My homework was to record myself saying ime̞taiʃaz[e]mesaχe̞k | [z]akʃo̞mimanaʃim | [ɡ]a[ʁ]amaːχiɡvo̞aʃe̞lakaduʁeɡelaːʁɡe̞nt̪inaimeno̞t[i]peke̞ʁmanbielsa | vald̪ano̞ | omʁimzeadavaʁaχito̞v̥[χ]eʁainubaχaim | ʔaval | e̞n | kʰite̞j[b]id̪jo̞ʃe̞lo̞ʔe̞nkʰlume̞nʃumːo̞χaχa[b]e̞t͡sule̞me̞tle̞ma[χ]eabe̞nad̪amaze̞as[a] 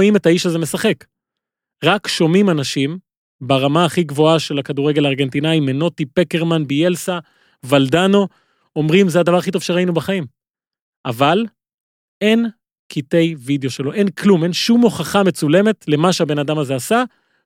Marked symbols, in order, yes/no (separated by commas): yes, no, no, yes, yes, no, no, no, no, yes